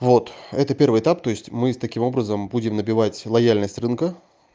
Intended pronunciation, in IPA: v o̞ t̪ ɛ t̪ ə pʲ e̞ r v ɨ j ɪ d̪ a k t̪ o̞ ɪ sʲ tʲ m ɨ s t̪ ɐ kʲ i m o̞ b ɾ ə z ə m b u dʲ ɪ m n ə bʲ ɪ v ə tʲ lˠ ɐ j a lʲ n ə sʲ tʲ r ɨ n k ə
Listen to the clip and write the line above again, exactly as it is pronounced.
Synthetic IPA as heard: v o̞ t̪ ɛ t̪ ə pʲ e̞ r v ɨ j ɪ t̪ a p t̪ o̞ ɪ sʲ tʲ m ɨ s t̪ ɐ kʲ i m o̞ b ɾ ə z ə m b u dʲ ɪ m n ə bʲ ɪ v a tʲ lˠ ɐ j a lʲ n ə sʲ tʲ r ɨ n k ə

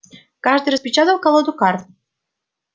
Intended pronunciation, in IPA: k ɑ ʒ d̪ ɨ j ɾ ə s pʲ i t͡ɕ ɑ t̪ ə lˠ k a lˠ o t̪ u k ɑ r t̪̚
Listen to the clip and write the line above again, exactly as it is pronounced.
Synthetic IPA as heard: k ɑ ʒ d̪ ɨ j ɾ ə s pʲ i t͡ɕ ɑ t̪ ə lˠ k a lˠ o d̪ u k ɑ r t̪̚

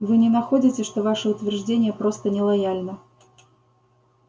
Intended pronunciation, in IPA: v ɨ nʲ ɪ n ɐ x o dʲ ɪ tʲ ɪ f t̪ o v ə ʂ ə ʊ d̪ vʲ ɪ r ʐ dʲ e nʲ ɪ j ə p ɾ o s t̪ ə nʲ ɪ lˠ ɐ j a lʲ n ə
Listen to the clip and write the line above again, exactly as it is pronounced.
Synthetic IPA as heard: v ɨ nʲ ɪ n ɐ x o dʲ ɪ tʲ ɪ ʂ t̪ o v a ʂ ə ʊ t̪ vʲ ɪ r ʐ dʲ e nʲ ɪ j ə p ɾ o s t̪ ə nʲ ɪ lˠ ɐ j a lʲ n ə

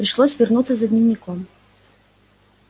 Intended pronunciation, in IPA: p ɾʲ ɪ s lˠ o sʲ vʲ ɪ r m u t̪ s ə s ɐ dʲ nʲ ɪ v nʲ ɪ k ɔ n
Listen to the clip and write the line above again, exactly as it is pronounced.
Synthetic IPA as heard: p ɾʲ ɪ ʂ lˠ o sʲ vʲ ɪ r n u t̪ s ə z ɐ dʲ nʲ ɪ v nʲ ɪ k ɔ m

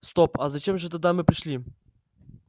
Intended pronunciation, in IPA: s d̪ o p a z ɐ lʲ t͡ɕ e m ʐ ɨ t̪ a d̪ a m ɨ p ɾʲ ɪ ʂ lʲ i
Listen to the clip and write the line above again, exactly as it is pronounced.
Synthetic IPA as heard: s t̪ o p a z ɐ t͡ɕ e m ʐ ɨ t̪ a d̪ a m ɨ p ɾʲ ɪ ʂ lʲ i

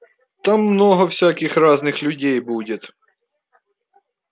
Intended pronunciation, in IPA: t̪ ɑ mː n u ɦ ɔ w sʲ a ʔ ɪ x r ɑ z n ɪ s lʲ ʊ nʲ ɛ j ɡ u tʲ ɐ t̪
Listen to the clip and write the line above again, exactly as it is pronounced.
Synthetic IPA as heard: t̪ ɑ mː n ɔ ɦ ɔ w sʲ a k ɪ x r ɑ z n ɪ x lʲ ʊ dʲ ɛ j b u dʲ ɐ t̪

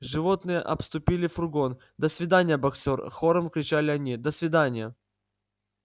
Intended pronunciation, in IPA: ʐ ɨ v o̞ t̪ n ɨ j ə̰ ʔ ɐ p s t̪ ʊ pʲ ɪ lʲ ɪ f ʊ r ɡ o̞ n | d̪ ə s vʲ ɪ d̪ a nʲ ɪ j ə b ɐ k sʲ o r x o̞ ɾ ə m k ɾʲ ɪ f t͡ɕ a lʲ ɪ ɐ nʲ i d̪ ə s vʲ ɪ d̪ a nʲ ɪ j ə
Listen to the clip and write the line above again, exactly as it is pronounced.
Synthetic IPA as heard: ʐ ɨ v o̞ t̪ n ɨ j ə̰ ʔ ɐ p s t̪ ʊ pʲ i lʲ ɪ f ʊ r ɡ o̞ n | d̪ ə s vʲ ɪ d̪ a nʲ ɪ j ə b ɐ k sʲ o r x o̞ ɾ ə m k ɾʲ ɪ t͡ɕ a lʲ ɪ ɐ nʲ i d̪ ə s vʲ ɪ d̪ a nʲ ɪ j ə

